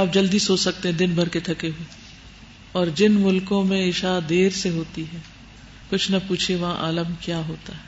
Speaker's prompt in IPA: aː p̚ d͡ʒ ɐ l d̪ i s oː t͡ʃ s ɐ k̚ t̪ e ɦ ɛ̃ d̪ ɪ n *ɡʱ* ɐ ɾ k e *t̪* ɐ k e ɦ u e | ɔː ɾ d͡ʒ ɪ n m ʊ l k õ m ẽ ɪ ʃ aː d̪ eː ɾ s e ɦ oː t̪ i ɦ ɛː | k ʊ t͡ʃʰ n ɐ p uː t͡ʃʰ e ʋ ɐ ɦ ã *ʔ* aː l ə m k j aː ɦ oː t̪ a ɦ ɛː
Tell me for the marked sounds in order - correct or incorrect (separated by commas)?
incorrect, incorrect, correct